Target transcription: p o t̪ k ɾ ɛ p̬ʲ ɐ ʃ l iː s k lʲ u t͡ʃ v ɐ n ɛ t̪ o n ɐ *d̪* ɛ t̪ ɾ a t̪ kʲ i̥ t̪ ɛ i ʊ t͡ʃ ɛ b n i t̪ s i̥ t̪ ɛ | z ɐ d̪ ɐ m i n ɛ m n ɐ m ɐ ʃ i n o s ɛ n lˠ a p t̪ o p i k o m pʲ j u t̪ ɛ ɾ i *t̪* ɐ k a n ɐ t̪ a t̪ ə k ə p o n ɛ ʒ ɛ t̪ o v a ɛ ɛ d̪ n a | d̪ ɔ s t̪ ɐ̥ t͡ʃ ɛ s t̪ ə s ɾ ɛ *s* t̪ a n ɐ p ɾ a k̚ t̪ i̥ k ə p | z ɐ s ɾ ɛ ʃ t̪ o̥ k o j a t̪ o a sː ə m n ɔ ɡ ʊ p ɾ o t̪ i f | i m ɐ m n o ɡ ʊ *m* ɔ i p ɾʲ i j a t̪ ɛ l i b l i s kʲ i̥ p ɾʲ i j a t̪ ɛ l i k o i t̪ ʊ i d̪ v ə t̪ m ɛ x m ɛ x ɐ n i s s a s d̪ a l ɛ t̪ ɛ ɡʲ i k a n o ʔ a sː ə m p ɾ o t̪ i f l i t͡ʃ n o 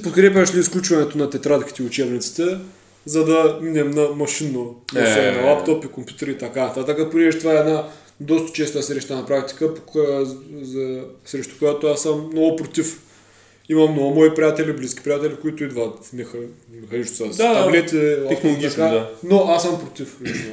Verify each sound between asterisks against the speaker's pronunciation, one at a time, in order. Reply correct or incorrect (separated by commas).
incorrect, correct, incorrect, correct